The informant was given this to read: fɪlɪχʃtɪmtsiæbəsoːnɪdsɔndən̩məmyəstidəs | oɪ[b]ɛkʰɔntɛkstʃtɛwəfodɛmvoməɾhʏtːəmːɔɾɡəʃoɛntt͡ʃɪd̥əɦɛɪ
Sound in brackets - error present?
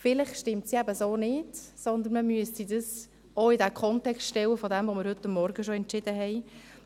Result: yes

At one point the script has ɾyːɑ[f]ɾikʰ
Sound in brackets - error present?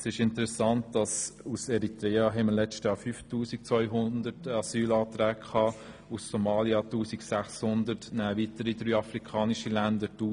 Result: no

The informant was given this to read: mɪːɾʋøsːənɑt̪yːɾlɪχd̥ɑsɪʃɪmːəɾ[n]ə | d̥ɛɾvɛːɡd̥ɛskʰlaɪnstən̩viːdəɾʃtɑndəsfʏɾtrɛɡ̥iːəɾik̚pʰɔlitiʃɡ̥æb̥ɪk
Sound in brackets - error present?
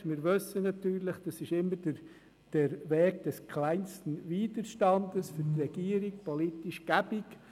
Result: yes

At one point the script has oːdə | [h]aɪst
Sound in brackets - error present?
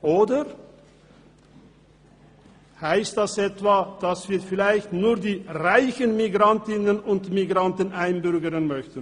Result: no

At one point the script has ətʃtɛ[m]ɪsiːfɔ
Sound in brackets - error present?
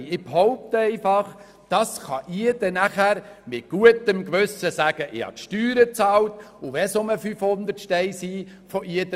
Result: yes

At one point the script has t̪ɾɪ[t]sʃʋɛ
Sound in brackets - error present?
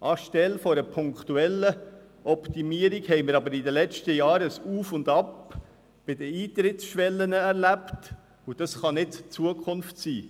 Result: no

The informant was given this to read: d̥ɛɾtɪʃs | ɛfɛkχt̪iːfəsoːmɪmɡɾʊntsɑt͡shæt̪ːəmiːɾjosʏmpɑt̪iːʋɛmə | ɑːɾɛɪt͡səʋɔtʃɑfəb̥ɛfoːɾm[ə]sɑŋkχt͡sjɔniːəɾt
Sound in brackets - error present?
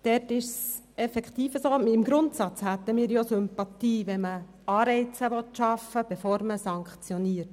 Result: no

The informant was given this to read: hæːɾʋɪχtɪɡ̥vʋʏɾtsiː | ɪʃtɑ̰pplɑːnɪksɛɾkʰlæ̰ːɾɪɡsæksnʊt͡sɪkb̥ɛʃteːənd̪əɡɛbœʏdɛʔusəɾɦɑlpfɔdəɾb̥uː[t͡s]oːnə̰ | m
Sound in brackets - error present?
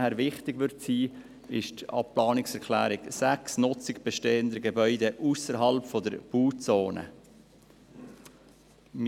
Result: no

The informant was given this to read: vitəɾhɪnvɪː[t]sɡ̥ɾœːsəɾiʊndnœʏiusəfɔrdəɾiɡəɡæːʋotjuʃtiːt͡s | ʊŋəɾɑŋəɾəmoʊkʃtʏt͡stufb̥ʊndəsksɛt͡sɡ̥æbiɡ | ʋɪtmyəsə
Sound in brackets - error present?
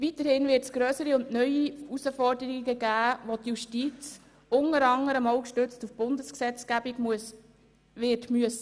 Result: no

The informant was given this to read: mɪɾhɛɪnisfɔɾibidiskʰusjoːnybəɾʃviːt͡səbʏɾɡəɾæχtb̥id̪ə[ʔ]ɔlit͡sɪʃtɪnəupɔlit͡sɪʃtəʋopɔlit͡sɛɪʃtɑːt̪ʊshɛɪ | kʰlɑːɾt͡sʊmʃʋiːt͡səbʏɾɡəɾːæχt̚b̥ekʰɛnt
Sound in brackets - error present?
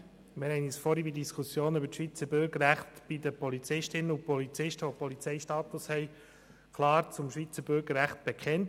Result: yes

